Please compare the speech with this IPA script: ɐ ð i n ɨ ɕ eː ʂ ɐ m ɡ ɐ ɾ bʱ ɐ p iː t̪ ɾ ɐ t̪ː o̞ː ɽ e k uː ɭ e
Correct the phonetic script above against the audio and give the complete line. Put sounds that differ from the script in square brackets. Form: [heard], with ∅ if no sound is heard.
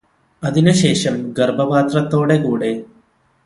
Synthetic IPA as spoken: ɐ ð i n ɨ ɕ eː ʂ ɐ m ɡ ɐ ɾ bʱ ɐ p [aː] t̪ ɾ ɐ t̪ː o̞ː ɽ e k uː [ɽ] e